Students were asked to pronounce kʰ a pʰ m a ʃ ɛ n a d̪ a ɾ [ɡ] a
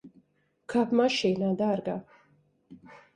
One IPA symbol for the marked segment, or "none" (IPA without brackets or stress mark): ɡ